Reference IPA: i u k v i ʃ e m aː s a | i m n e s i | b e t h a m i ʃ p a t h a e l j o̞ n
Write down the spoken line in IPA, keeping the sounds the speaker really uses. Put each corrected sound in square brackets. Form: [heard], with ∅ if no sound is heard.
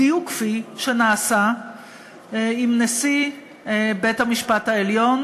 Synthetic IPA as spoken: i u k [f] i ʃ e [n] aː s a | i m n e s i | b e t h a m i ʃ p a t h a e l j o̞ n